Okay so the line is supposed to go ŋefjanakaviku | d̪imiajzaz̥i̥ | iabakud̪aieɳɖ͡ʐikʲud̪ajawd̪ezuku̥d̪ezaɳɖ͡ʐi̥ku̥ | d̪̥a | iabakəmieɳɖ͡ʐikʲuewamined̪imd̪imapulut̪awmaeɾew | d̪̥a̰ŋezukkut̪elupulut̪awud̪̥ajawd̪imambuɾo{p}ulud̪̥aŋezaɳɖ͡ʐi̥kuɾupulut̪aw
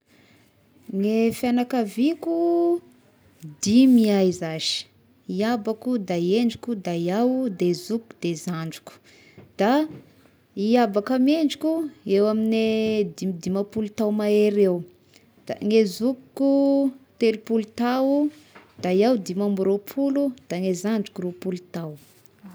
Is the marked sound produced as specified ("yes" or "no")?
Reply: no